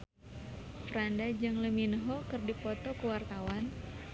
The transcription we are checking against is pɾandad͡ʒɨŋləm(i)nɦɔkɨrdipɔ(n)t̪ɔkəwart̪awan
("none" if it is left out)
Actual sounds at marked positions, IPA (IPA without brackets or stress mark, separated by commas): i, none